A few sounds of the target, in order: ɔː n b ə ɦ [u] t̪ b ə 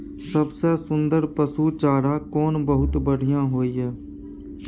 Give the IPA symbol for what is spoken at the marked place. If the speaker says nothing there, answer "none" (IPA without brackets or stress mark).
ʊ